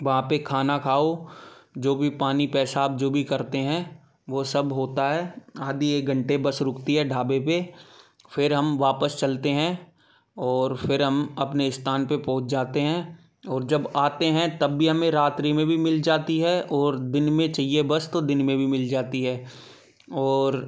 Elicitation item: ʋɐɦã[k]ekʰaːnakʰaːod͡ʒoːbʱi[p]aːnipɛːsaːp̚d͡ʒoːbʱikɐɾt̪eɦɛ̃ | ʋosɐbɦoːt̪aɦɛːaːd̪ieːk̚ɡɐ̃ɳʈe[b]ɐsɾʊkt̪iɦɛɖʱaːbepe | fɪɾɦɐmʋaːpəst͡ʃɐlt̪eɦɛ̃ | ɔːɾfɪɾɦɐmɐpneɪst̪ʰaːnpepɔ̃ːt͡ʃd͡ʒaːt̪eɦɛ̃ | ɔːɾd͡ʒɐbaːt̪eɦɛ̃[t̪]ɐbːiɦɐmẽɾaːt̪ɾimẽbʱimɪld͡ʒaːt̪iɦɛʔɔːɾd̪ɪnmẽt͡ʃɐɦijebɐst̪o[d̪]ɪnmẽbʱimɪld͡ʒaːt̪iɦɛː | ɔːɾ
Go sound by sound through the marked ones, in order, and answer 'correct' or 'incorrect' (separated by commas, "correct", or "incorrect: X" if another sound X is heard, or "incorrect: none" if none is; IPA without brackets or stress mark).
incorrect: p, correct, correct, correct, correct